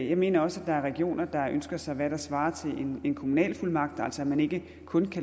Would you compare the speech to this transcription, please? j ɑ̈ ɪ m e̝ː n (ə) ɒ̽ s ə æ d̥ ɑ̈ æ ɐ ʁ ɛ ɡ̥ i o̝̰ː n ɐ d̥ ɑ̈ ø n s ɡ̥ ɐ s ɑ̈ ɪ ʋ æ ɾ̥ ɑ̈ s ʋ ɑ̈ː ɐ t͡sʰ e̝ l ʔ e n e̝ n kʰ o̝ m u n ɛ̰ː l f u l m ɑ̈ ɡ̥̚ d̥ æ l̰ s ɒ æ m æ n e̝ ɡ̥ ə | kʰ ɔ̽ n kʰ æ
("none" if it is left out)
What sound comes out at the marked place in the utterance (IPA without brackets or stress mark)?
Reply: ɐ